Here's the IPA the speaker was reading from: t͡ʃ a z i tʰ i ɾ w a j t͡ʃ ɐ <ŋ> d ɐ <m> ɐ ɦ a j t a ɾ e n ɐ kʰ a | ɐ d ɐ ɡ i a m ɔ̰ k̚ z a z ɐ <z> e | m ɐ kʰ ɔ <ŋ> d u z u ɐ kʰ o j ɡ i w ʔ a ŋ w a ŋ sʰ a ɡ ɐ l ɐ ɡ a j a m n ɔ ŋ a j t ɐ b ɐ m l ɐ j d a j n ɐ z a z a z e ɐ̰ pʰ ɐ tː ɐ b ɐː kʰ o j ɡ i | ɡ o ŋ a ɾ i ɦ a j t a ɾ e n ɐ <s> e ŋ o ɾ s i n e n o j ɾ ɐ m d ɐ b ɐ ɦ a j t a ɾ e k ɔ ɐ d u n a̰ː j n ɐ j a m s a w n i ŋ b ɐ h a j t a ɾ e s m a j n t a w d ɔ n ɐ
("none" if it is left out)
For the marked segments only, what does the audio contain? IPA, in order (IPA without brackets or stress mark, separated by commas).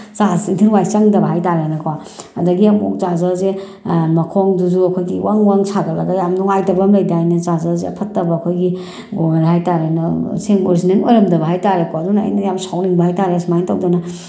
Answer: ŋ, b, z, ŋ, s